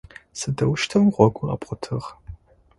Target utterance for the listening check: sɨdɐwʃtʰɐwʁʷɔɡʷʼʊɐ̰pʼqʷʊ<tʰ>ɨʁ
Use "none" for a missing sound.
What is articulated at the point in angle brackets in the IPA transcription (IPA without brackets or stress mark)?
tʰ